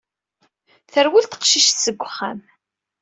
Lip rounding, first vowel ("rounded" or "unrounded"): unrounded